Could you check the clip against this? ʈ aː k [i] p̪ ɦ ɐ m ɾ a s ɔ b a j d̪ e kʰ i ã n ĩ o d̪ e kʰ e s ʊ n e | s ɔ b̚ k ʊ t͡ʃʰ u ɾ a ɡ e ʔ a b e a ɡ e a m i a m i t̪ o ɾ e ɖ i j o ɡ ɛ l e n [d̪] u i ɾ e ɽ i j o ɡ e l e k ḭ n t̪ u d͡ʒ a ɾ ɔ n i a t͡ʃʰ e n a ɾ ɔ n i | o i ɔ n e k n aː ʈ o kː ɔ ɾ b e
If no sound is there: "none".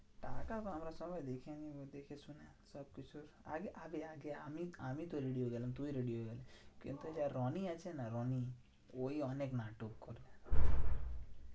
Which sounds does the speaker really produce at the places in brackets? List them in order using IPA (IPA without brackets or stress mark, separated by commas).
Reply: a, t̪